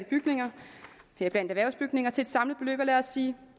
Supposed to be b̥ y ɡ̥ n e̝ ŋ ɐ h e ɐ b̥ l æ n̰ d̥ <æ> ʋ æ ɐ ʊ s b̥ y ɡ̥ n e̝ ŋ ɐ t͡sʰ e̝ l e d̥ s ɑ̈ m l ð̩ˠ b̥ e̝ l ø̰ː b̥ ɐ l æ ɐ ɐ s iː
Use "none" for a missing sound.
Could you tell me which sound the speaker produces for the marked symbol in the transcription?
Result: æ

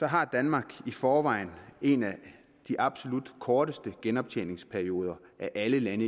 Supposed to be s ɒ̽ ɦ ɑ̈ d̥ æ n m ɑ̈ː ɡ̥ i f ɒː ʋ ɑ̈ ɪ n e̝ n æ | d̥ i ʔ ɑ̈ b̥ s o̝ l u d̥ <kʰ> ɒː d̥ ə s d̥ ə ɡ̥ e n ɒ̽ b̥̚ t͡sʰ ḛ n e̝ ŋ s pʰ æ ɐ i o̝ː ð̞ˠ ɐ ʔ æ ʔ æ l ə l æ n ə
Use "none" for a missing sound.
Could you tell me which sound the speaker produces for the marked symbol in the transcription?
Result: kʰ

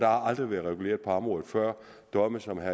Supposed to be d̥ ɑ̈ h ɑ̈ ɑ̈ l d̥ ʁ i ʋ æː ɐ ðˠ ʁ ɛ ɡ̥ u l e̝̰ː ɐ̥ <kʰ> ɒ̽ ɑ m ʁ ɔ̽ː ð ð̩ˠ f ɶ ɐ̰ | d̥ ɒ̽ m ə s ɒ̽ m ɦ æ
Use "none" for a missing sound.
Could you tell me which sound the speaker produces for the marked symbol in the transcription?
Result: pʰ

